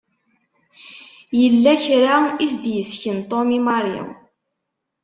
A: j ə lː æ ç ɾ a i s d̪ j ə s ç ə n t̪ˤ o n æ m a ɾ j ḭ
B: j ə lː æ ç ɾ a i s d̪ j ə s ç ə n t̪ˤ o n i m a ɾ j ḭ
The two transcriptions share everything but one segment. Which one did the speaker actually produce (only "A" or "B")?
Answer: B